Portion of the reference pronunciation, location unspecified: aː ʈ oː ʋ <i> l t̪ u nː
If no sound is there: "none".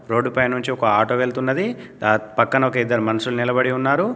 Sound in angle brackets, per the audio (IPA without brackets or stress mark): e